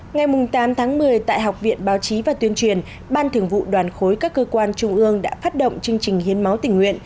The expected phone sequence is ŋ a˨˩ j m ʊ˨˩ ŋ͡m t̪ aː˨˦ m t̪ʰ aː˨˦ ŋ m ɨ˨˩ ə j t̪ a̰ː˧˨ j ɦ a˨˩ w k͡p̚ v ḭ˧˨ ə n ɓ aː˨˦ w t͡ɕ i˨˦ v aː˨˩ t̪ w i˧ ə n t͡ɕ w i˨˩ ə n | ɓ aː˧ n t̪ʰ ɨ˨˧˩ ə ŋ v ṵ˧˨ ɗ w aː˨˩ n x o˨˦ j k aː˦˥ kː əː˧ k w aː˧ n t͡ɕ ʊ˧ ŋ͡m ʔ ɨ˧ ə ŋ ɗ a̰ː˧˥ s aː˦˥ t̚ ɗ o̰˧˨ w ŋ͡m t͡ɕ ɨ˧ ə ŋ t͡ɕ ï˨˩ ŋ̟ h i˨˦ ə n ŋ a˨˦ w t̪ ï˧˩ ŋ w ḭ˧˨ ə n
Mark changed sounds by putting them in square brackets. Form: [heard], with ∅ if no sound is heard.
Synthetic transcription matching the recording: ŋ a˨˩ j m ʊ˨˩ ŋ͡m t̪ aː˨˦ m t̪ʰ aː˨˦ ŋ m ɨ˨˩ ə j t̪ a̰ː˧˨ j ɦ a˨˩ w k͡p̚ v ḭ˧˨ ə n ɓ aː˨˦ w t͡ɕ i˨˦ v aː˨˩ t̪ w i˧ ə n t͡ɕ w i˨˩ ə n | ɓ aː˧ n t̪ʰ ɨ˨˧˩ ə ŋ v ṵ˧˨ ɗ w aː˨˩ n x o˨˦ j k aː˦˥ kː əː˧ k w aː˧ n t͡ɕ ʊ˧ ŋ͡m ʔ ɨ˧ ə ŋ ɗ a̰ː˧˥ [f] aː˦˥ t̚ ɗ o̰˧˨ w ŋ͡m t͡ɕ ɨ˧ ə ŋ t͡ɕ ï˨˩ ŋ̟ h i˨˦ ə n [m] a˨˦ w t̪ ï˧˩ ŋ w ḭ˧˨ ə n

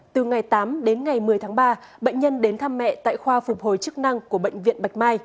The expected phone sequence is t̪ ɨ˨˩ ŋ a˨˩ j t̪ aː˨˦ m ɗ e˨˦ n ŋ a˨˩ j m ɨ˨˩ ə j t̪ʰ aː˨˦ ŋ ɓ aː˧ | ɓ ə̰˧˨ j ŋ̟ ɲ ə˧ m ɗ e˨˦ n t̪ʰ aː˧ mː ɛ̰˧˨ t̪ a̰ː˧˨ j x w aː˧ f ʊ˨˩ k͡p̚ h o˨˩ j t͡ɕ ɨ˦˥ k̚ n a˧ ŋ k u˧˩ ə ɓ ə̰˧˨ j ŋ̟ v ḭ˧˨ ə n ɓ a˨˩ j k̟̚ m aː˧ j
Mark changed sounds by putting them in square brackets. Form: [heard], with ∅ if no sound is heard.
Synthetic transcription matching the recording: t̪ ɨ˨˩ ŋ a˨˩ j t̪ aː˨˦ m ɗ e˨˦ n ŋ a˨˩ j m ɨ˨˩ ə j t̪ʰ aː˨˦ ŋ ɓ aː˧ | ɓ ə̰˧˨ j ŋ̟ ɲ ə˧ [n] ɗ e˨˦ n t̪ʰ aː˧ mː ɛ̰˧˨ t̪ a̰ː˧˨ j x w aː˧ f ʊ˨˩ k͡p̚ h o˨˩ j t͡ɕ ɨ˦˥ k̚ n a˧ ŋ k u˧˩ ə ɓ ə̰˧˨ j ŋ̟ v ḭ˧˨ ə n ɓ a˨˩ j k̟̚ m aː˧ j

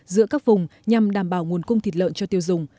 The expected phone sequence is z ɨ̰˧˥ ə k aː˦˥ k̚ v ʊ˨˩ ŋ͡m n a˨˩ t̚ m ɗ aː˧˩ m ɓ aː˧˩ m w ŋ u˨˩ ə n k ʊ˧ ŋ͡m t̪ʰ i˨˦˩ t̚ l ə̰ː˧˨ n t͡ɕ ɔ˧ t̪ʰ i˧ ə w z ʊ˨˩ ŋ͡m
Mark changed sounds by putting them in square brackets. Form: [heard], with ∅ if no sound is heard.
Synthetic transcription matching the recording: z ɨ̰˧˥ ə k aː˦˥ k̚ v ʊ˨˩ ŋ͡m [ɲ] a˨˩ [∅] m ɗ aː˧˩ m ɓ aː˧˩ [∅] w ŋ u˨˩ ə n k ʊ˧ ŋ͡m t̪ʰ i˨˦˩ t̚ l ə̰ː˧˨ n t͡ɕ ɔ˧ [t̪] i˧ ə w z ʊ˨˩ ŋ͡m

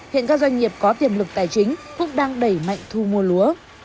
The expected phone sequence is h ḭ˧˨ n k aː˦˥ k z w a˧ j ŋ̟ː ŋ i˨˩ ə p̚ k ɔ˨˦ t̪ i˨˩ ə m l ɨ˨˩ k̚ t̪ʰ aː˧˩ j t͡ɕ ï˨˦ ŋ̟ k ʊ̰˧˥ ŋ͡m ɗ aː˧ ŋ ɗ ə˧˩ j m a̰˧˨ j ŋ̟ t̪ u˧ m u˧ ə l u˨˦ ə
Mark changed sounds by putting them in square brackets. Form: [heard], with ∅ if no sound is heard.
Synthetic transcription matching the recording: h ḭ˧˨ n k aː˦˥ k z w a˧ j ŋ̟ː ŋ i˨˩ ə p̚ k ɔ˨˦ t̪ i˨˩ ə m l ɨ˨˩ k̚ [t̪] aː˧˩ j t͡ɕ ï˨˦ ŋ̟ k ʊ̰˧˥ ŋ͡m ɗ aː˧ ŋ ɗ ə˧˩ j m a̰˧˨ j ŋ̟ [t̪ʰ] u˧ m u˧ ə l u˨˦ ə

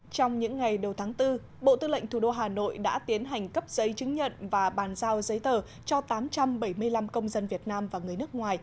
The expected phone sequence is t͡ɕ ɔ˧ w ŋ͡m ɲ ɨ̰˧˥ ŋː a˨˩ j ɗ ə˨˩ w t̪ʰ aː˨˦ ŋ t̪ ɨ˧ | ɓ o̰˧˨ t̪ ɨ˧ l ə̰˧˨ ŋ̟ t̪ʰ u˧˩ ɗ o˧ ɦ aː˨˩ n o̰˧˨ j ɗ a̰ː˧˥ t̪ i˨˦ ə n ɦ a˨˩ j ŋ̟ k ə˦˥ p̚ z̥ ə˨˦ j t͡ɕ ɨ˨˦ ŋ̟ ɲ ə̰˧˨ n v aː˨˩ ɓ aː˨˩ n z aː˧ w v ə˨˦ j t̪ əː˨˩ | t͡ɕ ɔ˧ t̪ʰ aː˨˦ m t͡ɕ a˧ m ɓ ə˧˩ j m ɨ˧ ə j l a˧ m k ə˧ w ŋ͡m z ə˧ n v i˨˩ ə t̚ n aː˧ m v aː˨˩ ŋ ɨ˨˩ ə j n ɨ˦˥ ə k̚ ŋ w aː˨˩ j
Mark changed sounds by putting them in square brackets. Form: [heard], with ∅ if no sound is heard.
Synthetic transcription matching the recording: t͡ɕ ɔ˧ w ŋ͡m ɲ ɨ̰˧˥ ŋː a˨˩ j ɗ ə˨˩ w t̪ʰ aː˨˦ ŋ t̪ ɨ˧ | ɓ o̰˧˨ t̪ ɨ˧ l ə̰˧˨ ŋ̟ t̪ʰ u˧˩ ɗ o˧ ɦ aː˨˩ n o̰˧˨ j ɗ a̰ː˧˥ t̪ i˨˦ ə n ɦ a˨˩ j ŋ̟ k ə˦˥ p̚ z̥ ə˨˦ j t͡ɕ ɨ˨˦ ŋ̟ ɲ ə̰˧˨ n v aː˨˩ ɓ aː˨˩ n z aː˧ w [z] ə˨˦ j t̪ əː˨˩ | t͡ɕ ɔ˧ [t̪] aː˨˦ m t͡ɕ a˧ m ɓ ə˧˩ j m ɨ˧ ə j l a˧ m k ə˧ w ŋ͡m z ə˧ n v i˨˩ ə t̚ n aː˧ m v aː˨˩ ŋ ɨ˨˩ ə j n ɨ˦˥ ə k̚ ŋ w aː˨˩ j

